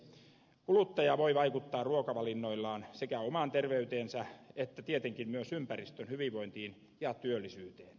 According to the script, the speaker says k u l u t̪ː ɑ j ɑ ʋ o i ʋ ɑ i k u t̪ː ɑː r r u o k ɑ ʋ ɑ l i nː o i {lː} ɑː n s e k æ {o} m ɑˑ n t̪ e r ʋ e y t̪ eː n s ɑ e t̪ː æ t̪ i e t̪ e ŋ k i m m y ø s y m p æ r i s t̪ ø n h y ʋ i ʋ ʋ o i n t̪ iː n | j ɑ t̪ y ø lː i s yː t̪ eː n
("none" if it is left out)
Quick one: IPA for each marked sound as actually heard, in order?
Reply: lː, o

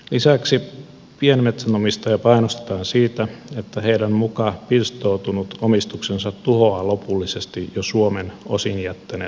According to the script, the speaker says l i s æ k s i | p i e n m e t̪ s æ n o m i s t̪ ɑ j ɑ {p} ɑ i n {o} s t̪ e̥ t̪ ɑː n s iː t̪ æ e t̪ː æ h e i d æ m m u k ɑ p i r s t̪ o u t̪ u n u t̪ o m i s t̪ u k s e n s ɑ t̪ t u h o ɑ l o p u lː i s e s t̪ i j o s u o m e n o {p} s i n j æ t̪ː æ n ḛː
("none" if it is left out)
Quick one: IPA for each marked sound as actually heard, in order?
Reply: p, o, none

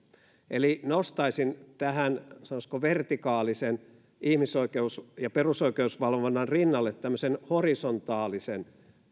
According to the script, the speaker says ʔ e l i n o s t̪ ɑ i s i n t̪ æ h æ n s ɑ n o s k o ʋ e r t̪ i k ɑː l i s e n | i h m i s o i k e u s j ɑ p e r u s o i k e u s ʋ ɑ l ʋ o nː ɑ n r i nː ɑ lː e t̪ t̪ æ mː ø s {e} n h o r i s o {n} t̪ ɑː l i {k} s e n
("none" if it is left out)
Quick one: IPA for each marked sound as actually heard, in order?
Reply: e, n, none

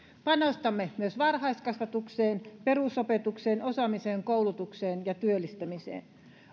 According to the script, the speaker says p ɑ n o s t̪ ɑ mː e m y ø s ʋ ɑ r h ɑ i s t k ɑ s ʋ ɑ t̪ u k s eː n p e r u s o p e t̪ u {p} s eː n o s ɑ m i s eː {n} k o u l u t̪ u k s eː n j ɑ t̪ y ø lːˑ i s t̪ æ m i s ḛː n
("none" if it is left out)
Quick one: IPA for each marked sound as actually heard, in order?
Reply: k, ŋ

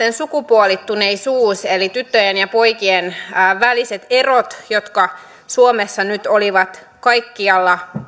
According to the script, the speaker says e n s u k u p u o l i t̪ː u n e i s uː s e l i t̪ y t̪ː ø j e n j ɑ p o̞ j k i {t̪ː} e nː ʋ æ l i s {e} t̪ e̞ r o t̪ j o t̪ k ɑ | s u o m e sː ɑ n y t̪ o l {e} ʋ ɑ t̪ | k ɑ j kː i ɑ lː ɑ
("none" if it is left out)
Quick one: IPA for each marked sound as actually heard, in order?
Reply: none, e, i

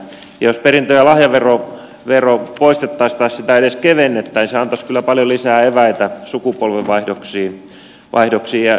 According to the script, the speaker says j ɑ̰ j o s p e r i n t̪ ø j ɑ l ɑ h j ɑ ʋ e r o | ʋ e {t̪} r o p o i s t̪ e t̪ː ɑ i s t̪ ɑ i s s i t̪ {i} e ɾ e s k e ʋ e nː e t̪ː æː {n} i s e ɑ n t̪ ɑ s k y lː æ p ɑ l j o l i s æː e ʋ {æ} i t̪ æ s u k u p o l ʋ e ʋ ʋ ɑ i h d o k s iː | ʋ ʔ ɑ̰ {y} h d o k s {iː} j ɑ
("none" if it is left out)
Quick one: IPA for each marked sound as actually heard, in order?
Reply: none, æ, n, æ, i, iː

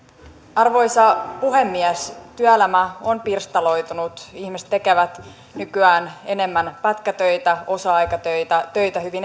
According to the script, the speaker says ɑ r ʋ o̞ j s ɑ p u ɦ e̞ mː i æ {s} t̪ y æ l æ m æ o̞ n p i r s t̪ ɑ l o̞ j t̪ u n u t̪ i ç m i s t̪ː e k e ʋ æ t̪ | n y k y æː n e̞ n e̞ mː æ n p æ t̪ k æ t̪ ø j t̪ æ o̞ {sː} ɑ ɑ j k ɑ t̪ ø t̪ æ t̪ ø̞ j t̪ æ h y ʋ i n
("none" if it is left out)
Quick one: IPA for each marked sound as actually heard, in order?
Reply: s, s

